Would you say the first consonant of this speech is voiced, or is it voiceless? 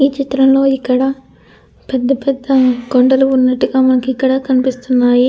voiceless